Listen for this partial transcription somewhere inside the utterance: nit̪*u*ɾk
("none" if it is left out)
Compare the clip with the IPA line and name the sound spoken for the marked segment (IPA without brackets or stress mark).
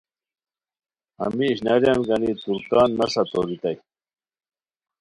u